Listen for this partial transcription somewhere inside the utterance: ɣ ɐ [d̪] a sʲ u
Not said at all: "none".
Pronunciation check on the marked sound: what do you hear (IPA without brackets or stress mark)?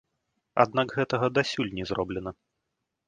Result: d̪